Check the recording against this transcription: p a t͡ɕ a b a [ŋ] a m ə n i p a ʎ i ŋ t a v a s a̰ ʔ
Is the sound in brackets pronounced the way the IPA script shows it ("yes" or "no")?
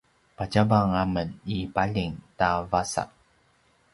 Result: yes